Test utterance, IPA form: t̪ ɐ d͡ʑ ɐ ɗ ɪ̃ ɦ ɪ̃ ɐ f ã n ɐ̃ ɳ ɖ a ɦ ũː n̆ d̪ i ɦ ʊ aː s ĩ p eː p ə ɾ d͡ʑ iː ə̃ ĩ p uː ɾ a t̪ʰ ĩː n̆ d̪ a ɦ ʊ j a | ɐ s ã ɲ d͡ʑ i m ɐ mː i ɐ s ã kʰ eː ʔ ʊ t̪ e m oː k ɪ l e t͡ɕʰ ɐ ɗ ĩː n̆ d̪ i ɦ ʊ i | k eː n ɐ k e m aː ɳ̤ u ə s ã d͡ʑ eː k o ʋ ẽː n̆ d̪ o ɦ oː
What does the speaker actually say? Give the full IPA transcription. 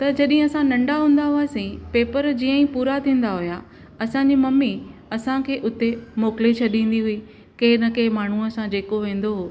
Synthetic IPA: t̪ ɐ d͡ʑ ɐ ɗ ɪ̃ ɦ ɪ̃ ɐ s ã n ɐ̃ ɳ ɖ a ɦ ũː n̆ d̪ a ɦ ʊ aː s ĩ p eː p ə ɾ d͡ʑ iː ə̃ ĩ p uː ɾ a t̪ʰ ĩː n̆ d̪ a ɦ ʊ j a | ɐ s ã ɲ d͡ʑ i m ɐ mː i ɐ s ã kʰ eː ʔ ʊ t̪ e m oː k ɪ l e t͡ɕʰ ɐ ɗ ĩː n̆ d̪ i ɦ ʊ i | k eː n ɐ k e m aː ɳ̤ u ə s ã d͡ʑ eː k o ʋ ẽː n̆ d̪ o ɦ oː